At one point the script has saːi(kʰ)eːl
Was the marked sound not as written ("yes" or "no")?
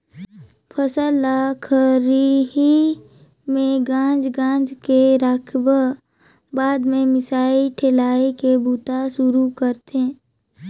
yes